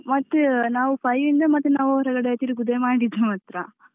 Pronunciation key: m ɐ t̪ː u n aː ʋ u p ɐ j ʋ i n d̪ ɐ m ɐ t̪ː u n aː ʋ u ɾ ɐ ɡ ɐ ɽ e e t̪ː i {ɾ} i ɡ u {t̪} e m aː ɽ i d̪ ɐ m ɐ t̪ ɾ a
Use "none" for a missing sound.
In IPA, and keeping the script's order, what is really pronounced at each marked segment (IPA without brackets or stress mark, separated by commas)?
ɾ, d̪